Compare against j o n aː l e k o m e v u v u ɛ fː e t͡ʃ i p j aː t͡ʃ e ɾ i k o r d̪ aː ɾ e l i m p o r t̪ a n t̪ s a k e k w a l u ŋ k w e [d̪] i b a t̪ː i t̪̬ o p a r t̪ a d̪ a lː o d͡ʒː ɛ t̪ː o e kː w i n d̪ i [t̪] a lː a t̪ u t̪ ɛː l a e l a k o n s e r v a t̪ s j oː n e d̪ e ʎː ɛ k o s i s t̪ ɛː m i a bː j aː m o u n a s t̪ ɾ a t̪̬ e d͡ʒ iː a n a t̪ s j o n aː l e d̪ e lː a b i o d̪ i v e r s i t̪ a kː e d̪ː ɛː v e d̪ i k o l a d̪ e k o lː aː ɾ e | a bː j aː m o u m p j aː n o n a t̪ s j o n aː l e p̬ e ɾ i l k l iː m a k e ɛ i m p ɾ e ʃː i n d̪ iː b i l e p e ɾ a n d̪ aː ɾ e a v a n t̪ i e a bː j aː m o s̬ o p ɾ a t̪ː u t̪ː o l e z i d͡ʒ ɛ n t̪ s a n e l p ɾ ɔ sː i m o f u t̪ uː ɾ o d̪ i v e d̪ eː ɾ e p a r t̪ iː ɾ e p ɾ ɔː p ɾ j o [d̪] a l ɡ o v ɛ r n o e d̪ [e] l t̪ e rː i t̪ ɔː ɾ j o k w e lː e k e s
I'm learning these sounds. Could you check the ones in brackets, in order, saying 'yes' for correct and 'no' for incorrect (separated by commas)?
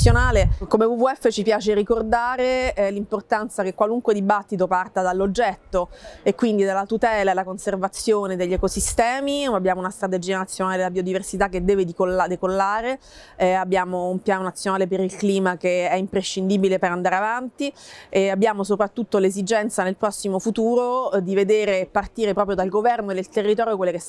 yes, no, yes, yes